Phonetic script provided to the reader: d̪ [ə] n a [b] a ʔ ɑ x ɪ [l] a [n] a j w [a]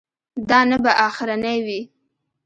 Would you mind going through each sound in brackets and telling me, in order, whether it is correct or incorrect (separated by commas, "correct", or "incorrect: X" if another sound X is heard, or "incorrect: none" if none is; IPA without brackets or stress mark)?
incorrect: ɑ, correct, incorrect: ɾ, correct, incorrect: i